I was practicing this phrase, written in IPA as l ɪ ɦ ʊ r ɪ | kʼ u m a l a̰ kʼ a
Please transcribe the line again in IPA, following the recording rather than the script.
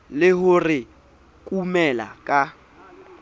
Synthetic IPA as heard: l ɪ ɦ ʊ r ɪ | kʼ u m ɛ l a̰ kʼ a